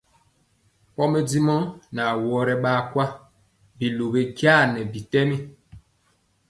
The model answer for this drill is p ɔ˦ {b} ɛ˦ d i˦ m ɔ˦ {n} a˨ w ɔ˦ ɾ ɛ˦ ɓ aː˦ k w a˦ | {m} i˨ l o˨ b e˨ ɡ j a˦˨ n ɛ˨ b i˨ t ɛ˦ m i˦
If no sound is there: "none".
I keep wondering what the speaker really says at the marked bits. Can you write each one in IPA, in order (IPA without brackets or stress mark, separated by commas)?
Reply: m, n, b